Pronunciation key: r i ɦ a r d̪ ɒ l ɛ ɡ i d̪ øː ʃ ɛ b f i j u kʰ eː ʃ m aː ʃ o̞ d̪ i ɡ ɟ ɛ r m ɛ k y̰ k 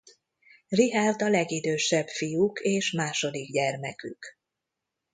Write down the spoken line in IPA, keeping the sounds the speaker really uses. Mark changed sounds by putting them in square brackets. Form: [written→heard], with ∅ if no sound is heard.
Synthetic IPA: r i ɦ a r d̪ ɒ l ɛ ɡ i d̪ øː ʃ ɛ b f i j u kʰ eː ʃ m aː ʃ o̞ d̪ i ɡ ɟ ɛ r m ɛ k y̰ k